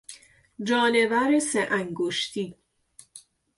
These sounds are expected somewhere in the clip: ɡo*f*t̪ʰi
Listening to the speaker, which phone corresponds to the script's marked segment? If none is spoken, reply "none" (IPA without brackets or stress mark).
ʃ